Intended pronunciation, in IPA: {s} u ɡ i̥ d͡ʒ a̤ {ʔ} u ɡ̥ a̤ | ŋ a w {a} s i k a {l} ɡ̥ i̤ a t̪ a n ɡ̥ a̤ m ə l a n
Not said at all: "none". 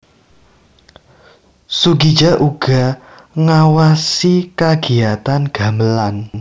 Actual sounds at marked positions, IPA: s, ʔ, a, none

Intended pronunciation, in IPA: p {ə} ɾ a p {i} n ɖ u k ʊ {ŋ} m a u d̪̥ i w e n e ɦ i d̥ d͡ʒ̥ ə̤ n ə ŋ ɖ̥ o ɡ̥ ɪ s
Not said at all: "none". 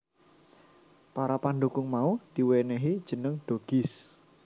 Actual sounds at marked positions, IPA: a, a, ŋ

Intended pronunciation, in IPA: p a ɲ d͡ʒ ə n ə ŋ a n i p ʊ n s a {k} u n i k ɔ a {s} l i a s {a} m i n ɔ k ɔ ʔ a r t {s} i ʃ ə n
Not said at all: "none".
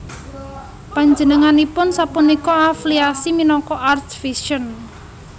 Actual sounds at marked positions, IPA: p, f, i, f

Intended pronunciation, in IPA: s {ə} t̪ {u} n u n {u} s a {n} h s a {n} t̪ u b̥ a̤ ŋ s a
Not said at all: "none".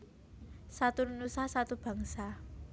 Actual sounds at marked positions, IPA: a, u, u, none, none

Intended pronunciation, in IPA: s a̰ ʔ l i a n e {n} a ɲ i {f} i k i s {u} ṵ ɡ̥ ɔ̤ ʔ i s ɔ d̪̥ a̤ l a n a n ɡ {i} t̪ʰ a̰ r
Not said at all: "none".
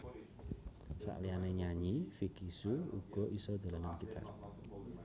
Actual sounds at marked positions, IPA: ɲ, f, u, i

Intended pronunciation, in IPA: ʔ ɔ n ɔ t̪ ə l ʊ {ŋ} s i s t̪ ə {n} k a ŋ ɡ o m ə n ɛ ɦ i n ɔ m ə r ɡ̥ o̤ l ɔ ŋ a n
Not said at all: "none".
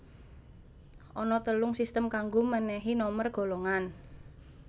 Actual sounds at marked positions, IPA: ŋ, m

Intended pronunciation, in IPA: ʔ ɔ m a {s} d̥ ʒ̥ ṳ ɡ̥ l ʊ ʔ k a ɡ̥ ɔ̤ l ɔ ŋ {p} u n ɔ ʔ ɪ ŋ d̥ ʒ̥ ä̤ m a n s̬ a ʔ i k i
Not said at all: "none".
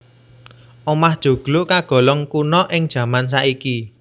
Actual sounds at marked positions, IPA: h, k

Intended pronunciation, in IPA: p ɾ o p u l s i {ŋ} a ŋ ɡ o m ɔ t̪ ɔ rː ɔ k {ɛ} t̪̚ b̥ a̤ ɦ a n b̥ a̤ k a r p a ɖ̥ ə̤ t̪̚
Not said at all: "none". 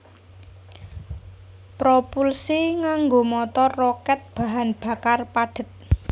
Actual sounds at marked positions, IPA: ŋ, ɛ

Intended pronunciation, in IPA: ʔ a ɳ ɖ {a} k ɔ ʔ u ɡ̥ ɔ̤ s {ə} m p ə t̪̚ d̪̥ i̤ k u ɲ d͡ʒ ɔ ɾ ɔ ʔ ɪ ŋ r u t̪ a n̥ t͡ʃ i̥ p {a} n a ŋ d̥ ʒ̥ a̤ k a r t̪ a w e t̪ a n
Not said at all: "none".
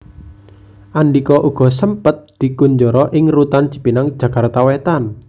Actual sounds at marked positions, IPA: i, ə, i

